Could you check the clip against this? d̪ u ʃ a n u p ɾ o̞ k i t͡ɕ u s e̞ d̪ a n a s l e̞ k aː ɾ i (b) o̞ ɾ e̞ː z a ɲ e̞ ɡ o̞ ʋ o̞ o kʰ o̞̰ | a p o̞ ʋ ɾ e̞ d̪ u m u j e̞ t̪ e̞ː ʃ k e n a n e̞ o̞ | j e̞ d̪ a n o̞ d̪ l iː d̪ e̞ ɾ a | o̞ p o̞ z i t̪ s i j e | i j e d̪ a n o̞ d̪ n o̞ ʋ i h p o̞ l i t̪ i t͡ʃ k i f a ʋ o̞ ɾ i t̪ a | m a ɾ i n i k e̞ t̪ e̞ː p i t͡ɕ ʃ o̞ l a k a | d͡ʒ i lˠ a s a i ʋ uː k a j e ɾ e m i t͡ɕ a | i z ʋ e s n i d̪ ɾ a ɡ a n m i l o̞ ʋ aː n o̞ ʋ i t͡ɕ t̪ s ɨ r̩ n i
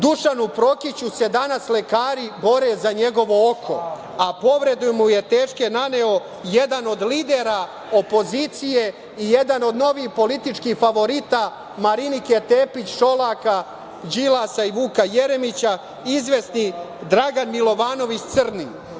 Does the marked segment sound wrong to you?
no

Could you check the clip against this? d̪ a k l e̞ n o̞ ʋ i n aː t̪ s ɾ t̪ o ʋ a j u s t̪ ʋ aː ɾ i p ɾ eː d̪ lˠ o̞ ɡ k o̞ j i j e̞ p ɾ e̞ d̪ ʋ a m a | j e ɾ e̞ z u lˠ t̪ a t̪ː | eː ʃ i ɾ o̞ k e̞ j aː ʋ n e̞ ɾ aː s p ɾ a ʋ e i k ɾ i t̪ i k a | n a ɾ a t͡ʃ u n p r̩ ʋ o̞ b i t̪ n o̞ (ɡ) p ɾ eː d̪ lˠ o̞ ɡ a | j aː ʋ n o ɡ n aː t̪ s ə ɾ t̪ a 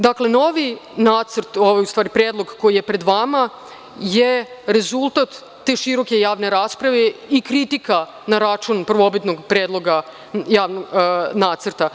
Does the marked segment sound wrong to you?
no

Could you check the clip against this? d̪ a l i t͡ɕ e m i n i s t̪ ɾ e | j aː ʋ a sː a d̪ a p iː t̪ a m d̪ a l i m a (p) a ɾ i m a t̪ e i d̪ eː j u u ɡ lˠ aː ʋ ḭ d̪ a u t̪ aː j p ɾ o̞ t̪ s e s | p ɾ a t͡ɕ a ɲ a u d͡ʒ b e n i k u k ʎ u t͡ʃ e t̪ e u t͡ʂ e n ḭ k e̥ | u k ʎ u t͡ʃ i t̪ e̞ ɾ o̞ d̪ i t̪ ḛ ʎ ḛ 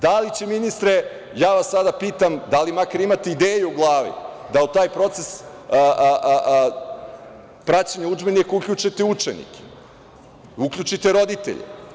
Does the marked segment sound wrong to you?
yes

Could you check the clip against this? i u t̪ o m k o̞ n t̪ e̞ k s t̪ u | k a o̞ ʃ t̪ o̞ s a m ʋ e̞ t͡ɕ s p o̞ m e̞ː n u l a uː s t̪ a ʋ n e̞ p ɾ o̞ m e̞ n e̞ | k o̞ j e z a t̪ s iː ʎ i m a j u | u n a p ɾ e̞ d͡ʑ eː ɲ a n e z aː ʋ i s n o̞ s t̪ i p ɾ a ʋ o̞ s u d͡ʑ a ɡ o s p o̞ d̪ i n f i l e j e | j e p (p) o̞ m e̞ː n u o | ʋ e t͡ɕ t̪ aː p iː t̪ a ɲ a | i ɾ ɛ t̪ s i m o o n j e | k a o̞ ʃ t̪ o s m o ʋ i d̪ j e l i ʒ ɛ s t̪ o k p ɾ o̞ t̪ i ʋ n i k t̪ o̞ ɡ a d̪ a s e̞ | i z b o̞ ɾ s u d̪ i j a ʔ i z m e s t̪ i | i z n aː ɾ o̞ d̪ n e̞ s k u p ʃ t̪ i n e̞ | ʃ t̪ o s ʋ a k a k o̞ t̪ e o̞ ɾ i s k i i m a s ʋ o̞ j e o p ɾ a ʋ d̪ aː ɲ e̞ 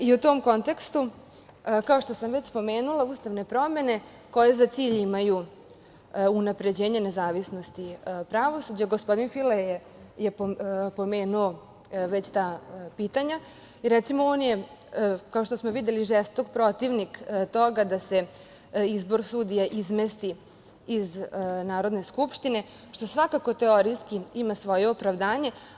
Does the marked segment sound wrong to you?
no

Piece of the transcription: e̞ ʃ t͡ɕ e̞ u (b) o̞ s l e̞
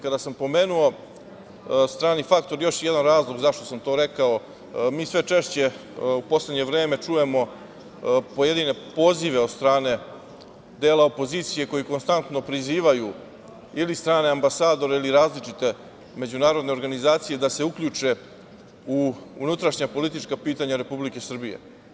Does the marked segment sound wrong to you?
yes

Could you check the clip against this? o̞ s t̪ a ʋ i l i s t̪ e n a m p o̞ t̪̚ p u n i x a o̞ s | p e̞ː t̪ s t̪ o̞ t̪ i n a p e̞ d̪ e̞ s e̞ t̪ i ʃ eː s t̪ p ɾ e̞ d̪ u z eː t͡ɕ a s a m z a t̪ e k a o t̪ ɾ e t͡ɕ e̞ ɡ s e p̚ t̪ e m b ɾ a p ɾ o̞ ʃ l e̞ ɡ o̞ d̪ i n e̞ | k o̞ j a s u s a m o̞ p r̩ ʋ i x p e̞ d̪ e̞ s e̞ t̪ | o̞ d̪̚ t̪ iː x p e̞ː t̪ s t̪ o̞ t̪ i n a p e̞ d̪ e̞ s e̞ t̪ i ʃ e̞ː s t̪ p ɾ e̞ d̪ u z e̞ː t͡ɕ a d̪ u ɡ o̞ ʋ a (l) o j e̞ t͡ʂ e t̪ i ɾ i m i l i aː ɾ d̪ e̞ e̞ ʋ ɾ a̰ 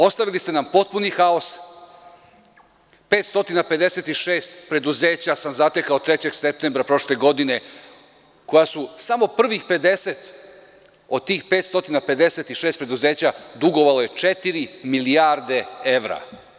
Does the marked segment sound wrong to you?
no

